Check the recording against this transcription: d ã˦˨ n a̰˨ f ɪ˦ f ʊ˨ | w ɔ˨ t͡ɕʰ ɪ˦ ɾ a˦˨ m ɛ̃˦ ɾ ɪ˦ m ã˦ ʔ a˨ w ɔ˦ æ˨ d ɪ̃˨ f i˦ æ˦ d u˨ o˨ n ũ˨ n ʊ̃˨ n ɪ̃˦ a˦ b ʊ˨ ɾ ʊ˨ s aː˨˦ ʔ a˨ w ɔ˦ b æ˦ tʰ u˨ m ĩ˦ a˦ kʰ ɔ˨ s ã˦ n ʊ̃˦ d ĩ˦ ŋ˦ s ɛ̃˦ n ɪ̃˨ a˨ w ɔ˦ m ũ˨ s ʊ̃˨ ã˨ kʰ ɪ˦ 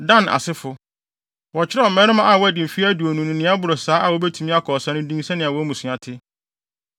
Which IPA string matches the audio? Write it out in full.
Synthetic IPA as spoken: d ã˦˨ n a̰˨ s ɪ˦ f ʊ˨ | w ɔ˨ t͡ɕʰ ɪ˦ ɾ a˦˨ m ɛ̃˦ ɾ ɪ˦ m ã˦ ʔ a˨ w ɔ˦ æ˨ d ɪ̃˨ f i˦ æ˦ d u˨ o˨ n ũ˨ n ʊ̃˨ n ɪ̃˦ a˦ b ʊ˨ ɾ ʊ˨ s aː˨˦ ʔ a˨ w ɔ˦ b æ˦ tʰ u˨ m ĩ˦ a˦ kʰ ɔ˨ s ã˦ n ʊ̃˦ d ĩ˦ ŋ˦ s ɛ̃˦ n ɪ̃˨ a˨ w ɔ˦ m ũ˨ s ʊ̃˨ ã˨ tʰ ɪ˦

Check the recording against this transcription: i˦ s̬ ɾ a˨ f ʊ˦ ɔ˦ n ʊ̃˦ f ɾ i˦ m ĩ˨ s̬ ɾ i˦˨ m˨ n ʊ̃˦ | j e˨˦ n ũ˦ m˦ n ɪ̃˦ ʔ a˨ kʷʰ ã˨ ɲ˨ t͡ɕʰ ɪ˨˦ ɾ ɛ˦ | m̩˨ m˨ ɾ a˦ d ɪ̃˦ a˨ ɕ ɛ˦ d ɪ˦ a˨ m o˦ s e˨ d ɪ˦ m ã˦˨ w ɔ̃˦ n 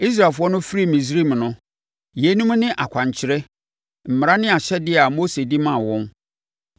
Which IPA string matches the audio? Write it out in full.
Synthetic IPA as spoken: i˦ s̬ ɾ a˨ f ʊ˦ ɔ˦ n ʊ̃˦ f ɾ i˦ m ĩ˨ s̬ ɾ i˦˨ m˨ n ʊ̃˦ | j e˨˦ n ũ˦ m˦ n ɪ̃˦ ʔ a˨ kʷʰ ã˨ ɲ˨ t͡ɕʰ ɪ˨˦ ɾ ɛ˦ | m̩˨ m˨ ɾ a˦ n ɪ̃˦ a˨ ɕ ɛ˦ d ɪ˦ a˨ m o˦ s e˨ d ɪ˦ m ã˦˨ w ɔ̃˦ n

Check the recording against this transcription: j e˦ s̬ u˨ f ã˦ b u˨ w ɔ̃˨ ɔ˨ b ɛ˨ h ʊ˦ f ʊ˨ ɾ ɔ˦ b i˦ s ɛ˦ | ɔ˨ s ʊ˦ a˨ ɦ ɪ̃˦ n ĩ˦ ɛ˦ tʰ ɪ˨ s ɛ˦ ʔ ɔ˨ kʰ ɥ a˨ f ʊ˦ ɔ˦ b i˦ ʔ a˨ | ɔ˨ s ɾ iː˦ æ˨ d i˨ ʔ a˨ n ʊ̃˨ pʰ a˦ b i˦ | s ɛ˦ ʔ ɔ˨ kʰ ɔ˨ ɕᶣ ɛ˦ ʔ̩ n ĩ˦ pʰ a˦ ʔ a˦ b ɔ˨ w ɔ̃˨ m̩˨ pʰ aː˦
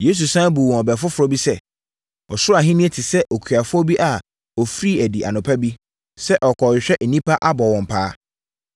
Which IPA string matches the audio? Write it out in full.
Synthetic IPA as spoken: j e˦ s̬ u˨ s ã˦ b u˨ w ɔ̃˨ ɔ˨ b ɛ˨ f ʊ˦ f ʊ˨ ɾ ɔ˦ b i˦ s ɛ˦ | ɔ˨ s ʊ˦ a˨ ɦ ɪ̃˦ n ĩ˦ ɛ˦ tʰ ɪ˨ s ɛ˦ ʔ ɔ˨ kʰ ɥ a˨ f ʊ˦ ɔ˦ b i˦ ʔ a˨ | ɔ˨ f ɾ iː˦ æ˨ d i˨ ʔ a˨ n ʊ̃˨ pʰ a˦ b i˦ | s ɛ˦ ʔ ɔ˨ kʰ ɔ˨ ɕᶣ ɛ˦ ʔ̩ n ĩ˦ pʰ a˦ ʔ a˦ b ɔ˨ w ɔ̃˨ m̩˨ pʰ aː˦

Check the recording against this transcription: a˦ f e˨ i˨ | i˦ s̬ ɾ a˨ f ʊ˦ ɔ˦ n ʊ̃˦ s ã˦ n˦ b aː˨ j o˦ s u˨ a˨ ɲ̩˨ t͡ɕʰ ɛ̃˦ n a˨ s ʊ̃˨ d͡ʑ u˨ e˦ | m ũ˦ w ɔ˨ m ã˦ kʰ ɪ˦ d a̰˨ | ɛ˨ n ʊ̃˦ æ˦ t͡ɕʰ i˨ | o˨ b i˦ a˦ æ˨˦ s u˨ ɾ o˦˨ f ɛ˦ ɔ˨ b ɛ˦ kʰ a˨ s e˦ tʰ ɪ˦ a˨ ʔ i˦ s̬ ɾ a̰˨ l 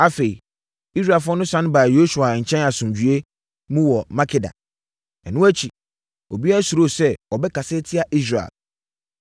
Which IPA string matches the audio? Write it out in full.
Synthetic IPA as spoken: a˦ f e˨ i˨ | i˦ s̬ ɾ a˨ f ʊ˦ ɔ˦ n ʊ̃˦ s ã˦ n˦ b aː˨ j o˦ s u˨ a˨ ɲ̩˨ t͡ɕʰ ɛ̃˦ n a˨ s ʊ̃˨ d͡ʑ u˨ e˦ | m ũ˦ w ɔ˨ m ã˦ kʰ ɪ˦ d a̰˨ | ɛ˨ n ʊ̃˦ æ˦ t͡ɕʰ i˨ | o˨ b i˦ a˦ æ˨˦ s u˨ ɾ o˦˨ s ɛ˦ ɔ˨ b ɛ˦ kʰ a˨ s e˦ tʰ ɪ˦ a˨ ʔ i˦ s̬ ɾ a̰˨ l

